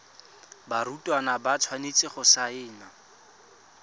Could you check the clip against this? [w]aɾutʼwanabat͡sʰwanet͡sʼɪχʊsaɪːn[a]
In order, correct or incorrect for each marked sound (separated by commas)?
incorrect, correct